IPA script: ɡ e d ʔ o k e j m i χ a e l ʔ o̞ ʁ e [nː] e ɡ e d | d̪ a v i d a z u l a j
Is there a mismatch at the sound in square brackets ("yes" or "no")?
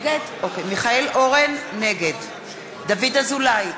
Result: no